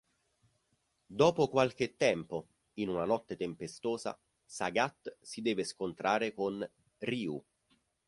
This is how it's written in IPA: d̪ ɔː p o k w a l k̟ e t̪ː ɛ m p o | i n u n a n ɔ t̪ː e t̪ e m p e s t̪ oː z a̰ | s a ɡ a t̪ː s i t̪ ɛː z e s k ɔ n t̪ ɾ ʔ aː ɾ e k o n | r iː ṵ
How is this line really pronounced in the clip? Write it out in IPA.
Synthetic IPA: d̪ ɔː p o k w a l k̟ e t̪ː ɛ m p o | i n u n a n ɔ t̪ː e t̪ e m p e s t̪ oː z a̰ | s a ɡ a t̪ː s i d̪ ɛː v e s k o n t̪ ɾ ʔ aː ɾ e k o n | r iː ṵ